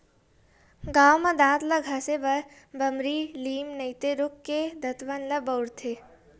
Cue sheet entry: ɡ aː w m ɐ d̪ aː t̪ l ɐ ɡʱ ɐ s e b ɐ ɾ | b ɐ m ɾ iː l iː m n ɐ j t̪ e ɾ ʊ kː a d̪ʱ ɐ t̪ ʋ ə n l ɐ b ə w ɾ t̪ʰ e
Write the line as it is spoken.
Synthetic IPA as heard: ɡ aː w m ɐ d̪ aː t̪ l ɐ ɡʱ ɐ s e b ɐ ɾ | b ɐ m ɾ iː l iː m n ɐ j t̪ e ɾ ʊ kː e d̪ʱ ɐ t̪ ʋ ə n l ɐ b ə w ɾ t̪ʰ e